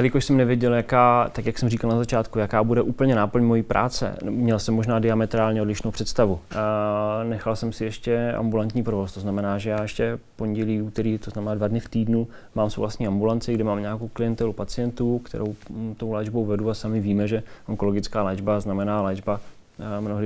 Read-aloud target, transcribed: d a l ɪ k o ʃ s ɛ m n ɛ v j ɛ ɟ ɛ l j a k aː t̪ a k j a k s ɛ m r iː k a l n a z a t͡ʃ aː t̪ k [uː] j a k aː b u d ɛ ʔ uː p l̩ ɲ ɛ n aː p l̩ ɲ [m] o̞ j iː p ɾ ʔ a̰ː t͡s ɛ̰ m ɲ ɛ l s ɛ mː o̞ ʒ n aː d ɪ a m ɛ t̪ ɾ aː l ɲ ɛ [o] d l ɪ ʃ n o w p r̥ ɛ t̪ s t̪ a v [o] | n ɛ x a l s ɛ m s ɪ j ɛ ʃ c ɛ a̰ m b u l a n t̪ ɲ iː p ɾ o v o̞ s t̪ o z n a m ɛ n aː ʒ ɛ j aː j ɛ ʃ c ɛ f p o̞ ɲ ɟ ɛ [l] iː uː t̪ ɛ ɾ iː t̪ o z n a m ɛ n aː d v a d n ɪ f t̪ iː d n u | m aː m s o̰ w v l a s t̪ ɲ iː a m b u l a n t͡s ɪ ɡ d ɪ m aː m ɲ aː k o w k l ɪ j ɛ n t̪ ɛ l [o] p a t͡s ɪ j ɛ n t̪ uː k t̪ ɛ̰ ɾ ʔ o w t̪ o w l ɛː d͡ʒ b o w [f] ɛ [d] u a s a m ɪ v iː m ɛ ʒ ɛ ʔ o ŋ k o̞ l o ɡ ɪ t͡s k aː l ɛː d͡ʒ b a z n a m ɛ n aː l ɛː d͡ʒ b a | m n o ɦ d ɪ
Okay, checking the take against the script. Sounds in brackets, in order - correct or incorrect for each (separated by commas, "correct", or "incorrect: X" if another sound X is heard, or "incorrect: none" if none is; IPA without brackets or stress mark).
incorrect: u, correct, correct, incorrect: u, correct, incorrect: u, incorrect: v, correct